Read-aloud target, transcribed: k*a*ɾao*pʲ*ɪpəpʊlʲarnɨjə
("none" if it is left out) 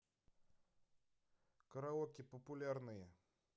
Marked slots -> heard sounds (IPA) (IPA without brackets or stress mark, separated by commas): ə, kʲ